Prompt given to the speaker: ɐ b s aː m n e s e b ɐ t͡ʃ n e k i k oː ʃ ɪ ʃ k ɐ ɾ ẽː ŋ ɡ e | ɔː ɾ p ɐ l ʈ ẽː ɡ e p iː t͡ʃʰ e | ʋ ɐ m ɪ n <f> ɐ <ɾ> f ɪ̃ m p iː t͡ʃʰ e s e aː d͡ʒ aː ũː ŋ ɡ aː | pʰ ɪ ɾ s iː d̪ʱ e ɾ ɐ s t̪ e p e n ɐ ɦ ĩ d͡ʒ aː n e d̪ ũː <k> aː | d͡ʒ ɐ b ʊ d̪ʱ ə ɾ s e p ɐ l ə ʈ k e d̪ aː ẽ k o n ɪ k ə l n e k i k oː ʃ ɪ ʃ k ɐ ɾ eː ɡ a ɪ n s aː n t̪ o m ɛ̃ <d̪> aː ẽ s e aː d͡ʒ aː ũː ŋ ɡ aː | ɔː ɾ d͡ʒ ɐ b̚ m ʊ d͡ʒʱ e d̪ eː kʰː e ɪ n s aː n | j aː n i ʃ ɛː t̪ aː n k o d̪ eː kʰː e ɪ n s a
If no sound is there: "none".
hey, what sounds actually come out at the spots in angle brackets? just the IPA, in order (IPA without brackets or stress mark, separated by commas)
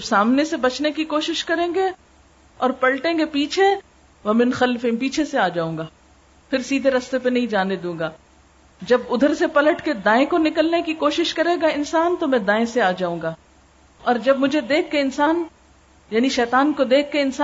x, l, ɡ, d̪